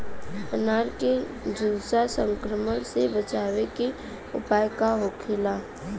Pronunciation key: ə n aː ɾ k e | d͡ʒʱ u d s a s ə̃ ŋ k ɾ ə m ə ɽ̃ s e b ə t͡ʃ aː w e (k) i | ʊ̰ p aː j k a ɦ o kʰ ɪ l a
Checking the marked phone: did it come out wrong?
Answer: no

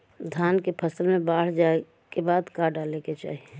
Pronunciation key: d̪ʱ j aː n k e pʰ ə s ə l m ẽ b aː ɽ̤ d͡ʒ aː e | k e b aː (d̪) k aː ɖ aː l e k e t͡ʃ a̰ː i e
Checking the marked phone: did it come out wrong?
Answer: no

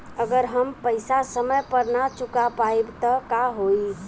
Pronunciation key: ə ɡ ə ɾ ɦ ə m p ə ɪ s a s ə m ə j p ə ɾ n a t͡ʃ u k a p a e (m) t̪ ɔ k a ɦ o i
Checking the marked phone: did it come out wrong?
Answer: yes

